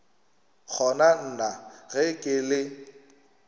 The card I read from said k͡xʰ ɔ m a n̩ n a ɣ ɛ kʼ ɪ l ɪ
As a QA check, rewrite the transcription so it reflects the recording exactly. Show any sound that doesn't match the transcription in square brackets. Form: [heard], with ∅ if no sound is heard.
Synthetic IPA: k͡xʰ ɔ [n] a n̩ n a ɣ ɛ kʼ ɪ l ɪ